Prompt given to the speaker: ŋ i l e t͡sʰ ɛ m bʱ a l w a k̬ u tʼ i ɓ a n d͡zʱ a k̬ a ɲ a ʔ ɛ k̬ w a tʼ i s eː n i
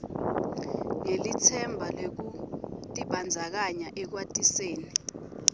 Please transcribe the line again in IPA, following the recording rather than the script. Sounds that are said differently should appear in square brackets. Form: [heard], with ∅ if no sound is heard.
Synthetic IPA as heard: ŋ [e] l [i] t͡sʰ ɛ m bʱ a l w [e] k̬ u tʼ i ɓ a n d͡zʱ a k̬ a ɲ a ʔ ɛ k̬ w a tʼ i s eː n i